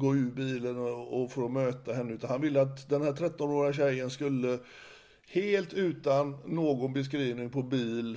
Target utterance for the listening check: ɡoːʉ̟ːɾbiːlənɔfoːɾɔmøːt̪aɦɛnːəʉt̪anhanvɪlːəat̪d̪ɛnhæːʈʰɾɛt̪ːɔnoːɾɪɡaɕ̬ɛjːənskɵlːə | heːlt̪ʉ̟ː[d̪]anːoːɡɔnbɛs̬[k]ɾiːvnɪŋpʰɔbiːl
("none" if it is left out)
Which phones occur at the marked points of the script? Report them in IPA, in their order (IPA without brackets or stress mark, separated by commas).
t̪, k